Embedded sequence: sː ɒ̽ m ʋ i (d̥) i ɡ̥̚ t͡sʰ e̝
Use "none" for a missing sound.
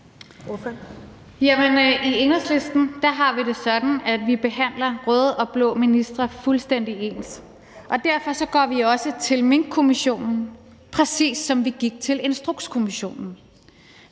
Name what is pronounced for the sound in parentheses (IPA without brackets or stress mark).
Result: ɡ̥